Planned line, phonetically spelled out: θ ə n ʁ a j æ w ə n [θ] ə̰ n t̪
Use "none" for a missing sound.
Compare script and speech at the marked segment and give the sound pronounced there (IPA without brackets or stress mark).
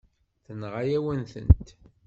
θ